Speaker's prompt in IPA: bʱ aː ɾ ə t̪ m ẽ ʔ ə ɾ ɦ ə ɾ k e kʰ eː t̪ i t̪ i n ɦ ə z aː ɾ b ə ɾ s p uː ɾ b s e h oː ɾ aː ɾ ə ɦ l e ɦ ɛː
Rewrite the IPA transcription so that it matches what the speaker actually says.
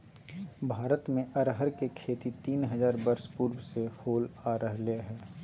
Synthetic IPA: bʱ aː ɾ ə t̪ m ẽ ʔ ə ɾ ɦ ə ɾ k e kʰ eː t̪ i t̪ iː n ɦ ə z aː ɾ b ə ɾ s p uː ɾ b s e h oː l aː ɾ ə ɦ l e ɦ ɛː